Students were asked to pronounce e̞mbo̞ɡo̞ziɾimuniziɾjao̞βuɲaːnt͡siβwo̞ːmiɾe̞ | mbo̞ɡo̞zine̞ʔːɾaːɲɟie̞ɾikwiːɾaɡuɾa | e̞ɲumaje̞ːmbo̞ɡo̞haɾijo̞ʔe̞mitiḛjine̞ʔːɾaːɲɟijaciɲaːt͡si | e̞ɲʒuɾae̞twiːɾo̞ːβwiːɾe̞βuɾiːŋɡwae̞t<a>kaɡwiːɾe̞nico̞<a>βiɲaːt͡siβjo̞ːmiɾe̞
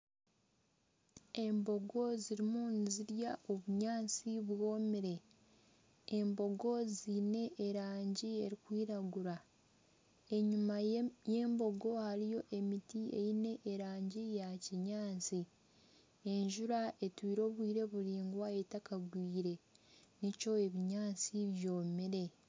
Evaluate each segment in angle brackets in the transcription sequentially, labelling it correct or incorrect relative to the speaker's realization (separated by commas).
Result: correct, incorrect